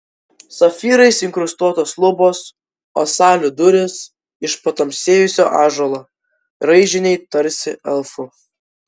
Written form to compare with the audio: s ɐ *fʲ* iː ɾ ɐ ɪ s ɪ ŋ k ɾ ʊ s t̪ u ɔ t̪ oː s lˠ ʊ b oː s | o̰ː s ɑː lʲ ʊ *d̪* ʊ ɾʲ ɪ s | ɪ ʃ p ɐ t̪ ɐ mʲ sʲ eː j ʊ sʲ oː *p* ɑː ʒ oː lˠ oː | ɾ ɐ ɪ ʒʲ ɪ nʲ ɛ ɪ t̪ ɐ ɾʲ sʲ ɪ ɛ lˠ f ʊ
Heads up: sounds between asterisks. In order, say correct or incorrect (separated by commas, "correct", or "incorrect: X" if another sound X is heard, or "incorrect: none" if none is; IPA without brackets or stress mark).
correct, correct, incorrect: ʔ